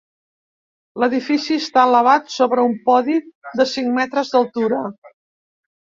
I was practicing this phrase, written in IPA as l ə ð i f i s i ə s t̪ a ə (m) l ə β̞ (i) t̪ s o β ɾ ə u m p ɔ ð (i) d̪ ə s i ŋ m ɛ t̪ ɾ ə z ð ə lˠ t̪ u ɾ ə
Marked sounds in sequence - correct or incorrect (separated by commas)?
incorrect, incorrect, correct